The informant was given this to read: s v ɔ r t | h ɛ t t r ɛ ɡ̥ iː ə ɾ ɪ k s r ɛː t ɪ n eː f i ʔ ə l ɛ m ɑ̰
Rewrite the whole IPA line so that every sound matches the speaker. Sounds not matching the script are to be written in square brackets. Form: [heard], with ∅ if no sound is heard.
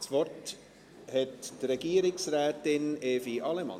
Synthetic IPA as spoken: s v ɔ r t | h ɛ t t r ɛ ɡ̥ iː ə ɾ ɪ k s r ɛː t ɪ n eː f i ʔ [ɑ] l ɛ m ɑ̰